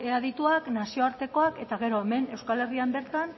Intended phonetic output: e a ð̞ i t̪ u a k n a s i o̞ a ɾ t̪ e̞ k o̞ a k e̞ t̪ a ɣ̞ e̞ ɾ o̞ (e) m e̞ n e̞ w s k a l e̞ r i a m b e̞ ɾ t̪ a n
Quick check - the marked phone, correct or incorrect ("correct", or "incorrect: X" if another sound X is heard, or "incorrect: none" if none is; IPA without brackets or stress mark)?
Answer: correct